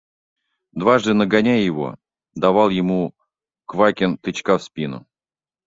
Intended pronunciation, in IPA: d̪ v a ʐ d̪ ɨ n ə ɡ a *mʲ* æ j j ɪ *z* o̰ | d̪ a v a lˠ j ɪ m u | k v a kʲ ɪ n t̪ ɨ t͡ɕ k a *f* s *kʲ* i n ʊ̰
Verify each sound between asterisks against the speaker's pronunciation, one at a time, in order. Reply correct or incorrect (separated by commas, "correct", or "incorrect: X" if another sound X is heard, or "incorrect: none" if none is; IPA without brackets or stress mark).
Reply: incorrect: nʲ, incorrect: v, correct, incorrect: pʲ